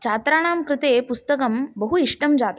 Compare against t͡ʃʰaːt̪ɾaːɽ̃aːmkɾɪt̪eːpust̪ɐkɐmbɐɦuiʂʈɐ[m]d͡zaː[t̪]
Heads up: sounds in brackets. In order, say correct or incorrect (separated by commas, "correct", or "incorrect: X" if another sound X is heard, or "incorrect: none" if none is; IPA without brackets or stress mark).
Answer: correct, correct